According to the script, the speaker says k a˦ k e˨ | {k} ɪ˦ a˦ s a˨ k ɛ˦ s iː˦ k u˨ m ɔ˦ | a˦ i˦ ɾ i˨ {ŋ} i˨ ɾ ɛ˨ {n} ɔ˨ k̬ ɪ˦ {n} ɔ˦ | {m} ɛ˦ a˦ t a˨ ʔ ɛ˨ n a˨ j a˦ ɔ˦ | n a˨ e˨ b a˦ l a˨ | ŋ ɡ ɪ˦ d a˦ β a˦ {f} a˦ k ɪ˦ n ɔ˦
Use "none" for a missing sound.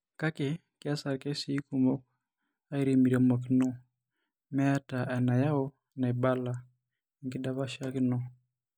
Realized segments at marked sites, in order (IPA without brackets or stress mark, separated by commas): k, m, m, n, m, ʃ